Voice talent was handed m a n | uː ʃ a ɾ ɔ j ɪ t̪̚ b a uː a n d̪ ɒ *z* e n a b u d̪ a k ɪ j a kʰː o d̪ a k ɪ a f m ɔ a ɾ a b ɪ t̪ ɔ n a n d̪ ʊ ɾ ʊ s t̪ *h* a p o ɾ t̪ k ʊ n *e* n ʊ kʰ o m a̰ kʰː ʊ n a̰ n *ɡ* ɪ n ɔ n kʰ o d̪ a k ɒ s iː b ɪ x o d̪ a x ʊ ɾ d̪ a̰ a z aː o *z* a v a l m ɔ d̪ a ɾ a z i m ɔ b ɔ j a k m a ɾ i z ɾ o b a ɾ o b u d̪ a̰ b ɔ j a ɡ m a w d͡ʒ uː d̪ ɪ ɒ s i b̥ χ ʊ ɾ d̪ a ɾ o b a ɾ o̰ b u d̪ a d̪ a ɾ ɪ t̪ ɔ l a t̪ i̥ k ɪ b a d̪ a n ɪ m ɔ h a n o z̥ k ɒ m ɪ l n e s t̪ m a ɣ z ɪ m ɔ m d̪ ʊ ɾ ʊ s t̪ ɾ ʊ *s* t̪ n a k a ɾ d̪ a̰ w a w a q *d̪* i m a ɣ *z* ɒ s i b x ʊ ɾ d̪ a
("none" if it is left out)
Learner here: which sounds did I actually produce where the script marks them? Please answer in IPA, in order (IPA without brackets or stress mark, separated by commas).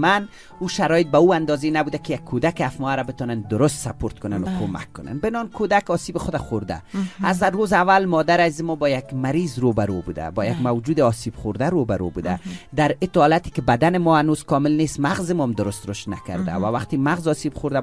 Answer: z, s, a, b, z, ʃ, t̪, z